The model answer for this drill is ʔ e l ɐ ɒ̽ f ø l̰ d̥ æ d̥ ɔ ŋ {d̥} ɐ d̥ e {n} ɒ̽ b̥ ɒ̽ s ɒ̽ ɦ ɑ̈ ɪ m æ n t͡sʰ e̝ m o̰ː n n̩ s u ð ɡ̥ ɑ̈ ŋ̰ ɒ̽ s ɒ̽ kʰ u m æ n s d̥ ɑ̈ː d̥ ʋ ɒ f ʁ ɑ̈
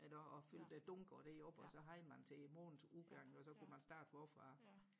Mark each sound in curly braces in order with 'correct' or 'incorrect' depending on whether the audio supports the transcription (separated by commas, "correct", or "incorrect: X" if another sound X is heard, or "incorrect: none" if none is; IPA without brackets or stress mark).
incorrect: ɡ̥, incorrect: none